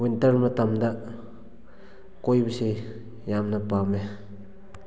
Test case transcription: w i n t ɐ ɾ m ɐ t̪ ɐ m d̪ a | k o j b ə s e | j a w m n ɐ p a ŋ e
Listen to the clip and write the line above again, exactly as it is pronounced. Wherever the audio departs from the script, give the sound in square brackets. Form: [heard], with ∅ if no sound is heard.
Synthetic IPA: w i n t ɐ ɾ m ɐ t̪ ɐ m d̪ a | k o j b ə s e | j a [∅] m n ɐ p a [m] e